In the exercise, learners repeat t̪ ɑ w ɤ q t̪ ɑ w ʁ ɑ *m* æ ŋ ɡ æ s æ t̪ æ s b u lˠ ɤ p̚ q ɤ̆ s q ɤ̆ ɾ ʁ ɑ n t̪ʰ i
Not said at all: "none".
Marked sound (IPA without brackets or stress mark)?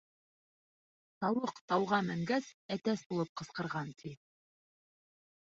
m